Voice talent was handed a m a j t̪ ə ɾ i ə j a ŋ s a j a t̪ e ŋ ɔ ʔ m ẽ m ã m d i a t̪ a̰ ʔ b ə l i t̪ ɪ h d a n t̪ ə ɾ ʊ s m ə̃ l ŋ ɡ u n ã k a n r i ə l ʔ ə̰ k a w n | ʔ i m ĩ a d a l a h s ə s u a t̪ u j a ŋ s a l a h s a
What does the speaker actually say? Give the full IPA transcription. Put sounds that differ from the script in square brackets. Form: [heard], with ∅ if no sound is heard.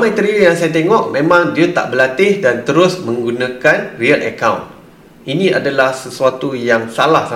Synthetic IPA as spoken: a m a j t̪ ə ɾ i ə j a ŋ s a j a t̪ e ŋ ɔ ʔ m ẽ m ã [ŋ] d i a t̪ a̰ ʔ b ə l [a] t̪ ɪ h d a n t̪ ə ɾ ʊ s m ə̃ [∅] ŋ ɡ u n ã k a n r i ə l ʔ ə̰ k a w n | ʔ i [n] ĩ a d a l a h s ə s u a t̪ u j a ŋ s a l a h s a